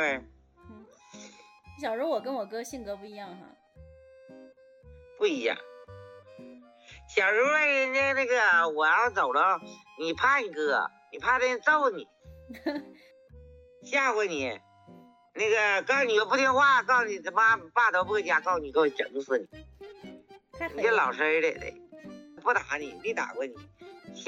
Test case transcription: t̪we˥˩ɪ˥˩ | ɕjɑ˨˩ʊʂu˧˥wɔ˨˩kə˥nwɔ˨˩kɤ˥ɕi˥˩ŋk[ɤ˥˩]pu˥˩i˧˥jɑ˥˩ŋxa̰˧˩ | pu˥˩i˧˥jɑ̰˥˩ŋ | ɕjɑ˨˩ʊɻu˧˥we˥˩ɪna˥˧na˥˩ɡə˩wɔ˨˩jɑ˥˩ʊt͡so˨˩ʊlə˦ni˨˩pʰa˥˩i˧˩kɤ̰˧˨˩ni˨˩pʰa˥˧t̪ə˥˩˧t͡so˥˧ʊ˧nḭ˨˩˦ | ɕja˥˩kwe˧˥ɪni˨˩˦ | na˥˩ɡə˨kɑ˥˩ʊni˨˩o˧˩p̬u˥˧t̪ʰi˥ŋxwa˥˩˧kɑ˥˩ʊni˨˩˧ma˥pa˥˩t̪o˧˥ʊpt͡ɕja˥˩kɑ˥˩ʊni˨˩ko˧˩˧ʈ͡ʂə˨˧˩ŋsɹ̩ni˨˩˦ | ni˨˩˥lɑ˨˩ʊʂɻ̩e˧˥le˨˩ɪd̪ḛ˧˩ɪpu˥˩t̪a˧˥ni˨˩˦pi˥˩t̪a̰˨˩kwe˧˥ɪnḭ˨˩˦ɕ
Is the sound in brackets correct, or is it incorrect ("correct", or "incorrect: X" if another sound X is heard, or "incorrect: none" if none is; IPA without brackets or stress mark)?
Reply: incorrect: ɤ˧˥